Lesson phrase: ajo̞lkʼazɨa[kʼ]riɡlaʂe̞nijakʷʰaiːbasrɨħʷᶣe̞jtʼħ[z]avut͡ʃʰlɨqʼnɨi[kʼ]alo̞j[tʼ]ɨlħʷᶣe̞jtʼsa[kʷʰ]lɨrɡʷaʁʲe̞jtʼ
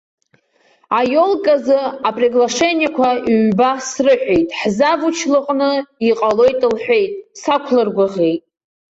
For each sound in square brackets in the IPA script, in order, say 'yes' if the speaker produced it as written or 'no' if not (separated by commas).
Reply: no, yes, no, yes, yes